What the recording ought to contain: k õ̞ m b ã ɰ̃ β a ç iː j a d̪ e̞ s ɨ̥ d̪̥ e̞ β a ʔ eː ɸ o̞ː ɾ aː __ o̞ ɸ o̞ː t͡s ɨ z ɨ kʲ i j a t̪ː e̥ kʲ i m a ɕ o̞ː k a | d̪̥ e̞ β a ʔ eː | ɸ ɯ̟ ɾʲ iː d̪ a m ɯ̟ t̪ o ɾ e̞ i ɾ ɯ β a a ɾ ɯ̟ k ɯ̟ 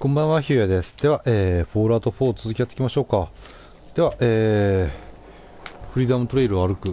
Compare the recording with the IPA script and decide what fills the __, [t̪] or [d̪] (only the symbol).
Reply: t̪